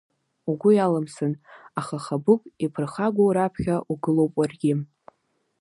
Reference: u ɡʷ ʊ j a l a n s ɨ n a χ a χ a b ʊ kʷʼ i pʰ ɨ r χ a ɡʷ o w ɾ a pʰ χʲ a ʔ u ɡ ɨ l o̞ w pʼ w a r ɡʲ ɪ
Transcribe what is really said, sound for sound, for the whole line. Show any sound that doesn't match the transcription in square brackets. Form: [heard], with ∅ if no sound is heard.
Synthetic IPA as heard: u ɡʷ ʊ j a l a [m] s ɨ n a χ a χ a b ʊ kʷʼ i pʰ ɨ r χ a ɡʷ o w ɾ a pʰ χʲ a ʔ u ɡ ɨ l o̞ w pʼ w a r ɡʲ ɪ

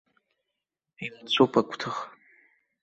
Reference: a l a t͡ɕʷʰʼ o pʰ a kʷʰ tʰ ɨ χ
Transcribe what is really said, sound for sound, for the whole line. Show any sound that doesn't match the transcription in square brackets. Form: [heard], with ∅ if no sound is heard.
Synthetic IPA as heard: [i] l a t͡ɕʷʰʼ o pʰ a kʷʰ tʰ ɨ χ

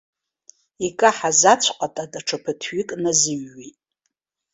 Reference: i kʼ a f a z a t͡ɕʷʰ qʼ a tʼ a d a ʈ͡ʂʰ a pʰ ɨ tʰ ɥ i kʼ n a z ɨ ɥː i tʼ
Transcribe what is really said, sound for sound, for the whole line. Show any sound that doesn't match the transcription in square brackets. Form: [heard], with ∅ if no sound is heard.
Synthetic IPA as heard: i kʼ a [ħ] a z a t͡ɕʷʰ qʼ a tʼ a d a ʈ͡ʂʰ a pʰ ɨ tʰ ɥ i kʼ n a z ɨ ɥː i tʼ

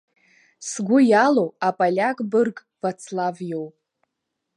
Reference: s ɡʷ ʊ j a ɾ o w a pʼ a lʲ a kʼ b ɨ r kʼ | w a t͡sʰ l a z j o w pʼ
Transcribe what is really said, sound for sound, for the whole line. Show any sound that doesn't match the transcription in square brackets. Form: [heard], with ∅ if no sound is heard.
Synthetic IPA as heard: s ɡʷ ʊ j a [l] o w a pʼ a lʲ a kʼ b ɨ r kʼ | [v] a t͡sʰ l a [v] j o w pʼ

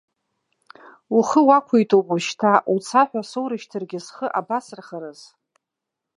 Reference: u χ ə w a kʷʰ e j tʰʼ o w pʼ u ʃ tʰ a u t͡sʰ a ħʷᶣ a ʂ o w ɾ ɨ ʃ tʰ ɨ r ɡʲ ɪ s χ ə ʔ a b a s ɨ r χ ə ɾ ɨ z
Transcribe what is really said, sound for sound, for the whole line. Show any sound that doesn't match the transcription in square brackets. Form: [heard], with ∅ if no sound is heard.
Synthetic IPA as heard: u χ ə w a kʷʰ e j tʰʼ o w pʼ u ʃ tʰ a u t͡sʰ a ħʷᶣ a [s] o w ɾ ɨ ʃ tʰ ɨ r ɡʲ ɪ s χ ə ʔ a b a s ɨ r χ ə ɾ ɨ z

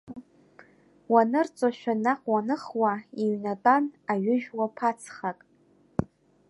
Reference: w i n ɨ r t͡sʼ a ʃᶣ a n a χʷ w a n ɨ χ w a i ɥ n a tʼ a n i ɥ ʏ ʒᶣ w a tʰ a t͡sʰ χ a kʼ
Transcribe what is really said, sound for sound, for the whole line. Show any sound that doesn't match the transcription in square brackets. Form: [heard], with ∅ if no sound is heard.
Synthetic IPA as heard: w [a] n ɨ r t͡sʼ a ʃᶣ a n a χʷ w a n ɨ χ w a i ɥ n a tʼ a n [a] ɥ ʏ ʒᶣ w a [pʰ] a t͡sʰ χ a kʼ

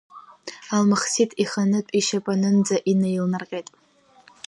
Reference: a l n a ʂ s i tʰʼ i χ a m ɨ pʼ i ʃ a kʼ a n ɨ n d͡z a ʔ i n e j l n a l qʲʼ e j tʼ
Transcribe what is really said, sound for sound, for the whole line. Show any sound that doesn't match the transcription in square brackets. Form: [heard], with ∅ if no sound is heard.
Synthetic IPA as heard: a l [m] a [χ] s i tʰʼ i χ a [n] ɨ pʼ i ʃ a [pʼ] a n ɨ n d͡z a ʔ i n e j l n a [r] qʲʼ e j tʼ

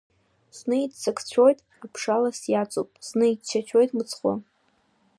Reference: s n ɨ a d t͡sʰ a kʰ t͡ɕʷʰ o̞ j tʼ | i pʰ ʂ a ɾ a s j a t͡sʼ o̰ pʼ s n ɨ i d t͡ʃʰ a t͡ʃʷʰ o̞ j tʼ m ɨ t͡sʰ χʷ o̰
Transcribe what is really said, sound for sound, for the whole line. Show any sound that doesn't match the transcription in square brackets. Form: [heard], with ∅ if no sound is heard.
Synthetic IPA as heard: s n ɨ [i] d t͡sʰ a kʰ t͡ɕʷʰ o̞ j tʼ | [a] pʰ ʂ a [l] a s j a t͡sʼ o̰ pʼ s n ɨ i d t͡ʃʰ a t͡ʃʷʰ o̞ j tʼ m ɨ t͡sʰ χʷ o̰

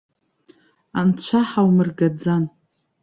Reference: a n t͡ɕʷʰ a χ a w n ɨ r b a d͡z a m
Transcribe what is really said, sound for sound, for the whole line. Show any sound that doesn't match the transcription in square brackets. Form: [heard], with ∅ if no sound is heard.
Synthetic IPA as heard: a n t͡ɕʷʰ a [ħ] a w [m] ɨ r [ɡ] a d͡z a [n]

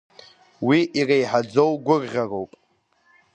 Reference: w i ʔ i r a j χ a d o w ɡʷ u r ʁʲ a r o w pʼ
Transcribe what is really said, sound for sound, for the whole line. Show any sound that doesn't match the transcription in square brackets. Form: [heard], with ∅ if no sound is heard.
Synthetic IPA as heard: w i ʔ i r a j [ħ] a [d͡z] o w ɡʷ [ʊ] r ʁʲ a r o w pʼ

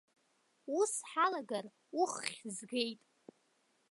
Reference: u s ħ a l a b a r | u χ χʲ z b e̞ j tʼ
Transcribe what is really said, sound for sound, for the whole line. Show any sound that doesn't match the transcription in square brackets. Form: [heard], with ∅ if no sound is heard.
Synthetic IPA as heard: u s ħ a l a [ɡ] a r | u χ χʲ z [ɡ] e̞ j tʼ

